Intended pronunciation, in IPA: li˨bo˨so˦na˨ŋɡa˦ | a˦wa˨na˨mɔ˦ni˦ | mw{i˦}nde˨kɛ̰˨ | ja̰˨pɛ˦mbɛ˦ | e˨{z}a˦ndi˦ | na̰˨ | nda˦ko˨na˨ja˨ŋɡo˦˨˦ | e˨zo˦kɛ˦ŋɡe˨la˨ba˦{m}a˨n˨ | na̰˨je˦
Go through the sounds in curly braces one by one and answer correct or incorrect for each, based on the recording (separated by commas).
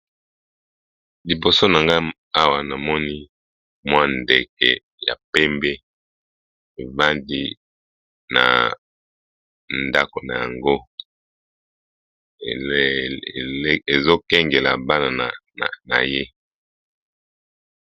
incorrect, incorrect, incorrect